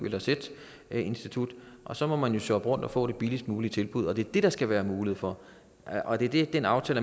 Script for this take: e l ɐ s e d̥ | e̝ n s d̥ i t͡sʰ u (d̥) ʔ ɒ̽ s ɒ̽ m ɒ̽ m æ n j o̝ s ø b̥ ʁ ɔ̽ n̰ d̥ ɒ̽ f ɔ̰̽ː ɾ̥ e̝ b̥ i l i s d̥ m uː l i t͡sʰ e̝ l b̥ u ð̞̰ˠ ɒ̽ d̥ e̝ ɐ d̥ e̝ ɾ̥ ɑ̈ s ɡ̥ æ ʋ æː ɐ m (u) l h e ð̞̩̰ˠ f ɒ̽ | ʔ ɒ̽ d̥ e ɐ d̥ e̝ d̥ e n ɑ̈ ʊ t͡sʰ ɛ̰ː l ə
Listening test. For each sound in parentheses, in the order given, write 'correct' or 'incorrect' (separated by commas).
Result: correct, incorrect